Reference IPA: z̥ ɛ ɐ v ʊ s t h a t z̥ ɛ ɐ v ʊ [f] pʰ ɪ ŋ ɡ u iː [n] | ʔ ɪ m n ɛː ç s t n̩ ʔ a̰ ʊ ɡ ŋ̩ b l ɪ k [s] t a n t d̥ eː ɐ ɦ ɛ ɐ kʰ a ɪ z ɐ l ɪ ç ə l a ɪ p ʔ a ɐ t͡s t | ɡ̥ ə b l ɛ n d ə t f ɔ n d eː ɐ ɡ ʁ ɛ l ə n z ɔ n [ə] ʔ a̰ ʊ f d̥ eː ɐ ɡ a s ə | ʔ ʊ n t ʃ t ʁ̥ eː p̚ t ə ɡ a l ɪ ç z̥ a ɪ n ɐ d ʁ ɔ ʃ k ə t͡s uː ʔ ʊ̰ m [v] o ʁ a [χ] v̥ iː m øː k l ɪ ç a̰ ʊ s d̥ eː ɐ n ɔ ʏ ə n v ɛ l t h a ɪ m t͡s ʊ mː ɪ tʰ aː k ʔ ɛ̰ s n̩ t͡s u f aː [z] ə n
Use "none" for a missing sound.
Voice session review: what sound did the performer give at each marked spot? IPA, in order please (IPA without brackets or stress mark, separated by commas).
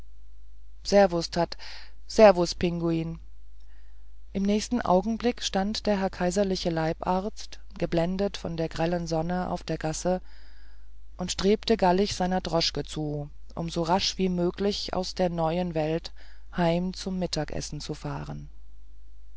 s, n, ʃ, ə, z, ʃ, ʁ